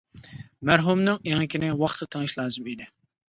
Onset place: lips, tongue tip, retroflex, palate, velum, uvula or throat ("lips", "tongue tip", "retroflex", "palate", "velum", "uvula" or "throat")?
lips